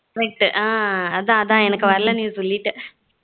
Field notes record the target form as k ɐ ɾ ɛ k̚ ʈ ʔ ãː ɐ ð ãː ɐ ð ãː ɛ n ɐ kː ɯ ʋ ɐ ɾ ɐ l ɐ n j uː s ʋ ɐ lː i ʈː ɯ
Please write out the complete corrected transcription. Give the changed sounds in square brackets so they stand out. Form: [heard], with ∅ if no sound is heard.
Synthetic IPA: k ɐ ɾ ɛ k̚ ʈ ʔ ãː ɐ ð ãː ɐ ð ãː ɛ n ɐ kː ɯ ʋ ɐ ɾ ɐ l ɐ n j uː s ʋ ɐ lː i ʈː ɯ